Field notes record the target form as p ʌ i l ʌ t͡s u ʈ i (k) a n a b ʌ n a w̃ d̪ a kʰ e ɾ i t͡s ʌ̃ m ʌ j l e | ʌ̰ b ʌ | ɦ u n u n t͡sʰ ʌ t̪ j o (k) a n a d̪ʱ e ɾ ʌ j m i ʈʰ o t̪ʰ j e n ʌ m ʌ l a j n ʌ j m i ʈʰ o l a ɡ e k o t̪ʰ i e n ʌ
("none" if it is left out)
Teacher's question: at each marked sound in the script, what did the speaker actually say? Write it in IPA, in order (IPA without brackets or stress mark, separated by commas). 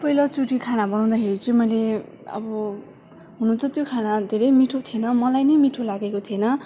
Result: kʰ, kʰ